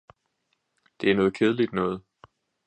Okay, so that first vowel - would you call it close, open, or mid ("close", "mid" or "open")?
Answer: mid